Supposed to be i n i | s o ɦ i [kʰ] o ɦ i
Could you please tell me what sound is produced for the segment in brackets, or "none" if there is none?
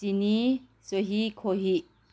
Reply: kʰ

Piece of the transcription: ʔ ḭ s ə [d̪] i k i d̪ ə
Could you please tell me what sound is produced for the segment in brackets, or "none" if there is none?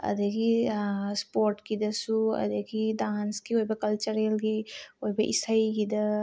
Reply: none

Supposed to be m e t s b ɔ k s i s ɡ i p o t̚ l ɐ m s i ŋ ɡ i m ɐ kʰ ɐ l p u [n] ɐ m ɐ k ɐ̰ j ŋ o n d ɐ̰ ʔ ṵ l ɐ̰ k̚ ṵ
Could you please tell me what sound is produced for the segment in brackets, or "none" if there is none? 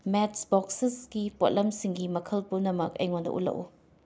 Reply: n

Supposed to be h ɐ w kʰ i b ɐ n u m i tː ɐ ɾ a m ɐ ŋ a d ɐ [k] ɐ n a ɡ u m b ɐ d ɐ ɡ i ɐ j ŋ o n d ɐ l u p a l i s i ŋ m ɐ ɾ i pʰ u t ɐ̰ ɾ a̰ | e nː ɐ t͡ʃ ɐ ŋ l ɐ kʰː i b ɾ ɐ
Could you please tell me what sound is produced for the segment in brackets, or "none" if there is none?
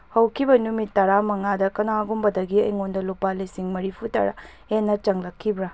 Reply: k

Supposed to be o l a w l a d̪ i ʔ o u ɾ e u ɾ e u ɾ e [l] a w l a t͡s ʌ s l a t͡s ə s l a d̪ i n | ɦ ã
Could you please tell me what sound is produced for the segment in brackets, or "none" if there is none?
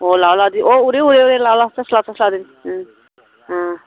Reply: l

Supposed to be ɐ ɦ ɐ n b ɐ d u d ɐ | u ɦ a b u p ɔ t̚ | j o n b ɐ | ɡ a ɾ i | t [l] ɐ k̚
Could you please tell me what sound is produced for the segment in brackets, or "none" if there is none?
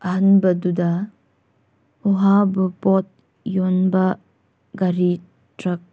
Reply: ɾ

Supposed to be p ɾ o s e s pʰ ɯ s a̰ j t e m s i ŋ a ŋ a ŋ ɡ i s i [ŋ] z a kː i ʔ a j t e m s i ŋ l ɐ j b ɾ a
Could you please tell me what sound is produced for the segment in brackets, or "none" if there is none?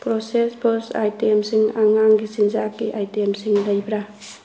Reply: n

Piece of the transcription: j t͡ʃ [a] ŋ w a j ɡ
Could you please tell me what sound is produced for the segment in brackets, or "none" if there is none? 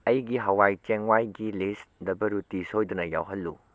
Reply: e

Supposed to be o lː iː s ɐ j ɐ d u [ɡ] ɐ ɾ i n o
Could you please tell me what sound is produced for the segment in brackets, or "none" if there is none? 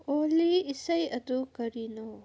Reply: k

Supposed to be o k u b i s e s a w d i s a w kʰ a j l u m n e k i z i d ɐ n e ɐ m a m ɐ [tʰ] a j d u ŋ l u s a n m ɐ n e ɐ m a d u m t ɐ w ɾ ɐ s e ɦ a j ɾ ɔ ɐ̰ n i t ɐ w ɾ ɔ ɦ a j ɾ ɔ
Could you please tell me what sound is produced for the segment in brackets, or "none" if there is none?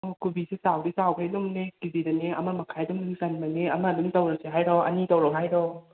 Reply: kʰ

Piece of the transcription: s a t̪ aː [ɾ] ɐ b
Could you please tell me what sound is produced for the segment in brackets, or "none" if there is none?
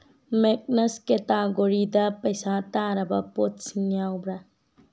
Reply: ɾ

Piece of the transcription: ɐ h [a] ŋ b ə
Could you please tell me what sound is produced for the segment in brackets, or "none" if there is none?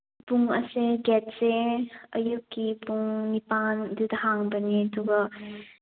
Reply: a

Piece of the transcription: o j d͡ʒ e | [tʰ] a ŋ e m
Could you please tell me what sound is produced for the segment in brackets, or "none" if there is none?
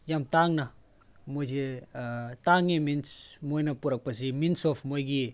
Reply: t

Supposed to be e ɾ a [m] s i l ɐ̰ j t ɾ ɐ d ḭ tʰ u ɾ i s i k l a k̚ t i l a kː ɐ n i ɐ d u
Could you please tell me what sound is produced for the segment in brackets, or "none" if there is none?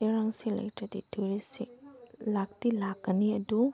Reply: ŋ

